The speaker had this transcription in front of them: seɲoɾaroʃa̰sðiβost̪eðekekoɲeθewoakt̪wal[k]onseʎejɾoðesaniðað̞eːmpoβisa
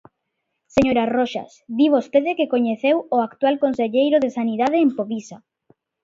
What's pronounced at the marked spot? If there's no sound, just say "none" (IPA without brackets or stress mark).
k